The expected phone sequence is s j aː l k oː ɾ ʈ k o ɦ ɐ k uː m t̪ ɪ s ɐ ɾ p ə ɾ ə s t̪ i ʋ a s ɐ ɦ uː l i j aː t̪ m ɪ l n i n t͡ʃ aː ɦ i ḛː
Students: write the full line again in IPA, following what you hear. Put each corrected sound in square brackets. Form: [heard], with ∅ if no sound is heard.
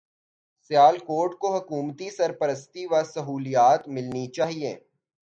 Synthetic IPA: s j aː l k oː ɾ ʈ k o ɦ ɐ k uː m t̪ [i] s ɐ ɾ p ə ɾ ə s t̪ i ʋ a s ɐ ɦ uː l i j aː t̪ m ɪ l n i [∅] t͡ʃ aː ɦ i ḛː